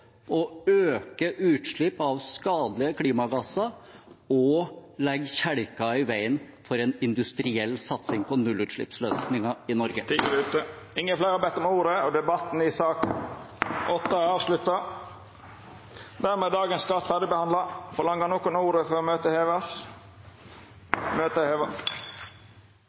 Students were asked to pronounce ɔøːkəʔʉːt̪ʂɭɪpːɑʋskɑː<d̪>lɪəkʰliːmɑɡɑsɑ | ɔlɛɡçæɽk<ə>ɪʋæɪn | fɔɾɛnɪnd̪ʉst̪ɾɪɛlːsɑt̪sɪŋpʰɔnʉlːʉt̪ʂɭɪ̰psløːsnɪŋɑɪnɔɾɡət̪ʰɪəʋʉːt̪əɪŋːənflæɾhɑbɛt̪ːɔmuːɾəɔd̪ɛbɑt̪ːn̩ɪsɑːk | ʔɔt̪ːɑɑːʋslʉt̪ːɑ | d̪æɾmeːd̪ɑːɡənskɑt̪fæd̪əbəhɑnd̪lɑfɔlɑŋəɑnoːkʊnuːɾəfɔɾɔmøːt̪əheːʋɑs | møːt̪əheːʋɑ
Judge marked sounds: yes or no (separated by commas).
yes, no